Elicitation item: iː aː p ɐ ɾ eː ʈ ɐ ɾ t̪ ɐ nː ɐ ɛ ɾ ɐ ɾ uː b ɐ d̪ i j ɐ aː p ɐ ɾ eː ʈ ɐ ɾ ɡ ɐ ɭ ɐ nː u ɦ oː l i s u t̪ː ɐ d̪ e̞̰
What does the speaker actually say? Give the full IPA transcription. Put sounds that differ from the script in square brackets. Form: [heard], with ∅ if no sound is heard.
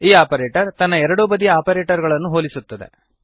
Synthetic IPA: iː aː p ɐ ɾ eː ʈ ɐ ɾ t̪ ɐ nː ɐ ɛ ɾ ɐ [ɽ] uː b ɐ d̪ i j ɐ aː p ɐ ɾ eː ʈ ɐ ɾ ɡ ɐ ɭ ɐ nː u ɦ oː l i s u t̪ː ɐ d̪ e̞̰